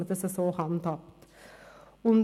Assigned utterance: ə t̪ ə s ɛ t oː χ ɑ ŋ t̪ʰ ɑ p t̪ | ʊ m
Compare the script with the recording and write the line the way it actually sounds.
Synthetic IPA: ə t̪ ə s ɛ s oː h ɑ n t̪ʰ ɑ p t̪ | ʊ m

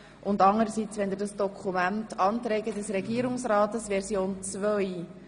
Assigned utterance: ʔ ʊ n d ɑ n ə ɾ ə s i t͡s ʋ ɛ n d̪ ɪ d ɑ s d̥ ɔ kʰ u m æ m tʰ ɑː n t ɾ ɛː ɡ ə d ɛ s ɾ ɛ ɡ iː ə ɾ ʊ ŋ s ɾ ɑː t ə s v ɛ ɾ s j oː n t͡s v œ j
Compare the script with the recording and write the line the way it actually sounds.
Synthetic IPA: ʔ ʊ n d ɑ ŋ ə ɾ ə s i t͡s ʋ ɛ n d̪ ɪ d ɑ s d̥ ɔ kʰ u m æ n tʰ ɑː n t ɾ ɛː ɡ ə d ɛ s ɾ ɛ ɡ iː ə ɾ ʊ ŋ s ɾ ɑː t ə s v ɛ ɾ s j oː n t͡s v œ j

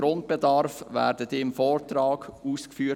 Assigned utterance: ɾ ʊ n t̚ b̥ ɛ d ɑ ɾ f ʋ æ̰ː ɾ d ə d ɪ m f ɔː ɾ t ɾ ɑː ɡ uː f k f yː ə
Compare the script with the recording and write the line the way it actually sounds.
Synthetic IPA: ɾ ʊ n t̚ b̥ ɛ d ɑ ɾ f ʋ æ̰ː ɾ d ə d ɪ m f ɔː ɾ t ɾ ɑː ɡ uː s k f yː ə

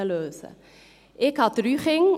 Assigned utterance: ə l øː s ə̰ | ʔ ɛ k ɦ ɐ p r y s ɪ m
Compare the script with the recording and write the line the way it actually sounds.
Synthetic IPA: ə l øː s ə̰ | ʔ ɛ k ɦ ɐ t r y χ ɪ ŋ

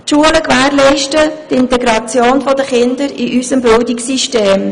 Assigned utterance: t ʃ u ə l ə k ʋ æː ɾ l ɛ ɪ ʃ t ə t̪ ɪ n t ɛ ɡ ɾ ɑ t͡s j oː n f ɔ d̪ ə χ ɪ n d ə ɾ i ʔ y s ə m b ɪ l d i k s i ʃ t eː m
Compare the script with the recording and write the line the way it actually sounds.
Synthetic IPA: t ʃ u ə l ə k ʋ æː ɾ l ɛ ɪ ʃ t ə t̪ ɪ n t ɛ ɡ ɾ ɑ t͡s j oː n f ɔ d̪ ə χ ɪ n d ə ɾ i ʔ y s ə m b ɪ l d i k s i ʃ t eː m

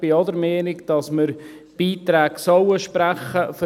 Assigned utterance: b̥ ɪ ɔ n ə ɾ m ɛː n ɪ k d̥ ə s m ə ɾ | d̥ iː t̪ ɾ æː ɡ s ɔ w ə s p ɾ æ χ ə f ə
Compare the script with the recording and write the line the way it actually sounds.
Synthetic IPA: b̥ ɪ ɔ d ə ɾ m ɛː n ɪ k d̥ ɑ s m ə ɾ | b̥ iː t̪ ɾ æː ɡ s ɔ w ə ʃ p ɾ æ χ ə f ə

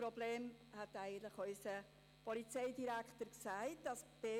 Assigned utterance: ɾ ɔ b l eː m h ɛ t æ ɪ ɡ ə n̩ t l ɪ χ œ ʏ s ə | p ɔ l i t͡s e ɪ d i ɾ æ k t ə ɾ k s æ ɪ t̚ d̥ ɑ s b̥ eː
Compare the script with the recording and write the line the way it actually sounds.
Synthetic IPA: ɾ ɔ b l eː m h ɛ t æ ɪ ɡ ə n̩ t l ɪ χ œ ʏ s ə | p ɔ l i t͡s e ɪ d i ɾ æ k t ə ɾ k s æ ɪ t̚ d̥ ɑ s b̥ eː

